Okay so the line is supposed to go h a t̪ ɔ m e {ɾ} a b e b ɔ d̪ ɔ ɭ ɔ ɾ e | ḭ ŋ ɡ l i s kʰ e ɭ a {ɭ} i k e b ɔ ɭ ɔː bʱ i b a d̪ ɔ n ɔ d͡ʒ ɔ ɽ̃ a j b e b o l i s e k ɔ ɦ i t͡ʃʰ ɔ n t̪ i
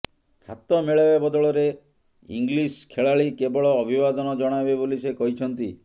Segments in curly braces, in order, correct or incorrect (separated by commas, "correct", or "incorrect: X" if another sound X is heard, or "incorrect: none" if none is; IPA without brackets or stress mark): incorrect: ɭ, correct